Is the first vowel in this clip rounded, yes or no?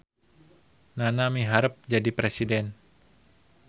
no